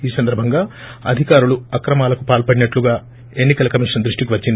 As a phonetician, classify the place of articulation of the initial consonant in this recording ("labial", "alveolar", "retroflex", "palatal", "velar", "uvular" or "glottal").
alveolar